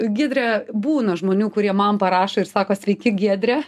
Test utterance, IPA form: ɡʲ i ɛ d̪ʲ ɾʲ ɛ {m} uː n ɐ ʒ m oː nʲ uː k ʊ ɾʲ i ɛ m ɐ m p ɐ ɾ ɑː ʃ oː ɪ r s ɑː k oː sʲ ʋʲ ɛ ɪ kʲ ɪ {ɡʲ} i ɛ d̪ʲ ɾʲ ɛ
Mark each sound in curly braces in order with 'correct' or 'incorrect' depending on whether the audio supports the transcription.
incorrect: b, correct

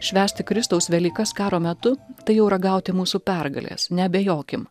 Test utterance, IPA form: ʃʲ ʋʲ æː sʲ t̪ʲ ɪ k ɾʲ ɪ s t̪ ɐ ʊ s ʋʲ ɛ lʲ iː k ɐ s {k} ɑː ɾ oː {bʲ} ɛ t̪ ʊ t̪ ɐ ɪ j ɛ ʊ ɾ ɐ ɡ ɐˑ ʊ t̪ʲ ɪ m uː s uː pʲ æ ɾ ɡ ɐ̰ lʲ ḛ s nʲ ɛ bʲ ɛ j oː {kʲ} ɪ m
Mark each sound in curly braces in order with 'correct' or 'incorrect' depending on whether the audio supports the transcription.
correct, incorrect: mʲ, correct

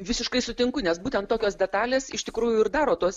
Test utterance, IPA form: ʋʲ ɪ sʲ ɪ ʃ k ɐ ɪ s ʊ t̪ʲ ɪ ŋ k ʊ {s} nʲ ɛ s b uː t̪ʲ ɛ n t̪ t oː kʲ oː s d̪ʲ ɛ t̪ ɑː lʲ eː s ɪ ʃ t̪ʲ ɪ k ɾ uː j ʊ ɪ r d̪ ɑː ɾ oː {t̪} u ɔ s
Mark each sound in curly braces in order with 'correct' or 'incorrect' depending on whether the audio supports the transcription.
incorrect: none, correct

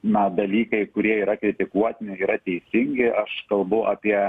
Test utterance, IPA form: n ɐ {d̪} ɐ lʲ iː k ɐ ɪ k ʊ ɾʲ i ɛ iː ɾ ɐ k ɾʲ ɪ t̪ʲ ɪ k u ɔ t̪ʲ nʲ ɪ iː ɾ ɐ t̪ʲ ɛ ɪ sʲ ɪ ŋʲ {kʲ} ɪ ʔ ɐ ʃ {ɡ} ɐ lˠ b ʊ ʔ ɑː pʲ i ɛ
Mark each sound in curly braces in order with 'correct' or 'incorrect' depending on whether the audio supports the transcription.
correct, incorrect: ɡʲ, incorrect: k

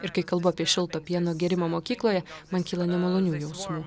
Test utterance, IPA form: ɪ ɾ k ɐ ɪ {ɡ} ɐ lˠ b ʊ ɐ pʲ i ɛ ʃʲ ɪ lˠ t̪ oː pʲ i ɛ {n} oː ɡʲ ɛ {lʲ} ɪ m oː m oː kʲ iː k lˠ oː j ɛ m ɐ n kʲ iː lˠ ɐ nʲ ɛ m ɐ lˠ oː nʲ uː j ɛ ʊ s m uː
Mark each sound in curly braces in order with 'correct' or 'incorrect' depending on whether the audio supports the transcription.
incorrect: k, correct, incorrect: ɾʲ

